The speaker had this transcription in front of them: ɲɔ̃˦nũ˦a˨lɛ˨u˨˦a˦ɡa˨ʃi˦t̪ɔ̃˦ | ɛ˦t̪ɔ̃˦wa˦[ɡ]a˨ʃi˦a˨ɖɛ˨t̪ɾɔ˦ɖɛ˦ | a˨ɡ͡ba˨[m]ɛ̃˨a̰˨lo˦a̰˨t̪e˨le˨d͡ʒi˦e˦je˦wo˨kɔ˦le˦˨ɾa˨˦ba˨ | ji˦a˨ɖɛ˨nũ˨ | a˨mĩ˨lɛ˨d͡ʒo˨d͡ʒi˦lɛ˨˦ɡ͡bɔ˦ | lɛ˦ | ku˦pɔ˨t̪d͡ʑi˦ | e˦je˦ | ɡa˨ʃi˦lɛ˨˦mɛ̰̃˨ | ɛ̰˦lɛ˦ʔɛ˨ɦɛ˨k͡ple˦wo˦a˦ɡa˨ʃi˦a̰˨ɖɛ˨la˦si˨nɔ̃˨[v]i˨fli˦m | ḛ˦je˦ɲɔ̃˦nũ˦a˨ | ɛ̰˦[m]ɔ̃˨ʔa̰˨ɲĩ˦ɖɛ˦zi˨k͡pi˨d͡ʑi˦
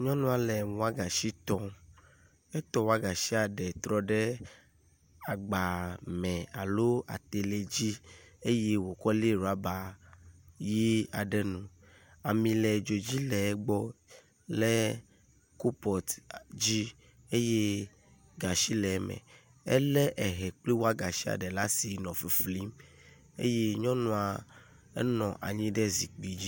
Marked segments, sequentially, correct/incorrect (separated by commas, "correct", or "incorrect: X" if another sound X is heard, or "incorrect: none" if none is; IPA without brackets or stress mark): correct, correct, incorrect: f, incorrect: n